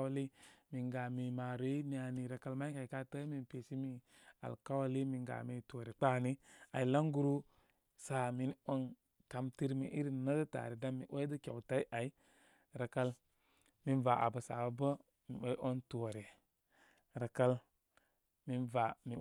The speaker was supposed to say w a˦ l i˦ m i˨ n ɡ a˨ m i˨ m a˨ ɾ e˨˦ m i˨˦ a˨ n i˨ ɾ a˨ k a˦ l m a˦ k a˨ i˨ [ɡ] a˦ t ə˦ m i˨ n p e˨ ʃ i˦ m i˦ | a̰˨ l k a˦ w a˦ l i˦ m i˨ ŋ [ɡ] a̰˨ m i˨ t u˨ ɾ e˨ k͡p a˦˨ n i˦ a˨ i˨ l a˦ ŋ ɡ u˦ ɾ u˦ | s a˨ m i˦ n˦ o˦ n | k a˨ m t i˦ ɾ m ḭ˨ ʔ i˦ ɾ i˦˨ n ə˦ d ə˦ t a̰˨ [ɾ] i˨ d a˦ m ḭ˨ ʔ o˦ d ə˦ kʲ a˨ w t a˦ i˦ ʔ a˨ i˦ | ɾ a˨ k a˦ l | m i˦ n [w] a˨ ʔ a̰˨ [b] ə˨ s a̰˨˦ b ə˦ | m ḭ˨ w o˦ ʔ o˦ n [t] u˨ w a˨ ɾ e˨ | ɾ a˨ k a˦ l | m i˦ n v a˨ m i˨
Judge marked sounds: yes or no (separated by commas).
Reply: no, yes, yes, no, yes, yes